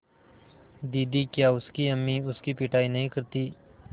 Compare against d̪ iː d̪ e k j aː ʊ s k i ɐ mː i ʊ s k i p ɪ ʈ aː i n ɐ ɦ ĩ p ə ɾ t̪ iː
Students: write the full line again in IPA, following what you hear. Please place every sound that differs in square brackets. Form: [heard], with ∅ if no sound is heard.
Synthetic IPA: d̪ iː d̪ [i] k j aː ʊ s k i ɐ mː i ʊ s k i p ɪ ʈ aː i n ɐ ɦ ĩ [k] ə ɾ t̪ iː